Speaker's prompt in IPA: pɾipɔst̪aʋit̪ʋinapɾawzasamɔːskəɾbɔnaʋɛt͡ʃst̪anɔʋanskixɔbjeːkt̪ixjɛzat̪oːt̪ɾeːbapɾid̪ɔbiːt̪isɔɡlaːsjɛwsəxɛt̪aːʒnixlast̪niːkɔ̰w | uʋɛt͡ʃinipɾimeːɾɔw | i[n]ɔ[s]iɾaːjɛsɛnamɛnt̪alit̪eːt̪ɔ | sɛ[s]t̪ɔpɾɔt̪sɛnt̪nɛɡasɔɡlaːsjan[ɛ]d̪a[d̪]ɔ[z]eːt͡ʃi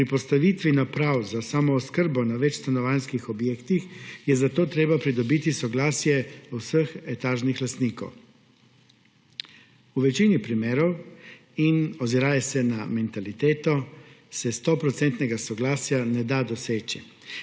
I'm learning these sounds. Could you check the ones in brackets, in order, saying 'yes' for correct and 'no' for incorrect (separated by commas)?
yes, no, yes, yes, yes, no